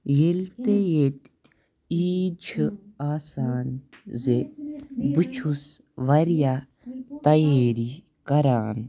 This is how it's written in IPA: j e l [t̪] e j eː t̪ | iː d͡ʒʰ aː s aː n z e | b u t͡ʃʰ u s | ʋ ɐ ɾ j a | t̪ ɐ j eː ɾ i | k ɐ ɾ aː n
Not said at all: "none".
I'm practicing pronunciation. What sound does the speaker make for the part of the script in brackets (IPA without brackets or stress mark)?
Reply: t̪